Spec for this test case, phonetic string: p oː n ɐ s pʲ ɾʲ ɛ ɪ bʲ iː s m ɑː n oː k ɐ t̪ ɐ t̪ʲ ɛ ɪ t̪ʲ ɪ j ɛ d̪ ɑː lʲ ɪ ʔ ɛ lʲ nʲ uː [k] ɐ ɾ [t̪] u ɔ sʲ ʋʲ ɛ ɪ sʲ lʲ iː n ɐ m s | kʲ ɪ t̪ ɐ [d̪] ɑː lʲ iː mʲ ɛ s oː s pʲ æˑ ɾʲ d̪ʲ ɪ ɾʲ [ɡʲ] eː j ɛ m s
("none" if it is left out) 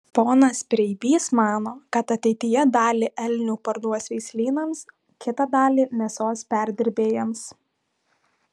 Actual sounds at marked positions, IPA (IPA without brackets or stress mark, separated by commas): p, d̪, d̪, bʲ